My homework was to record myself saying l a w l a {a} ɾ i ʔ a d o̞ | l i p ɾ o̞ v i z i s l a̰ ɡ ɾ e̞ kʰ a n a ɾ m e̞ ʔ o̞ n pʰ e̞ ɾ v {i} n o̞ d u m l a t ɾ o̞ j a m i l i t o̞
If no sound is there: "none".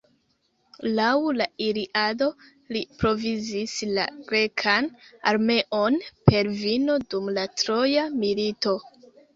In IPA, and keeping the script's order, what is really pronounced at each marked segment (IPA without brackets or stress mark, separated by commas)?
i, i